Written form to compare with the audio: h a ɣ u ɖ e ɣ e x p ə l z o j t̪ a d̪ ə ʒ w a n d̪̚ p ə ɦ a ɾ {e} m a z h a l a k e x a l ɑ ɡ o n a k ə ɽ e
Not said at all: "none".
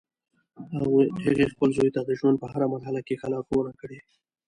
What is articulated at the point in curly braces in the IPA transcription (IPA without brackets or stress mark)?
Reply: a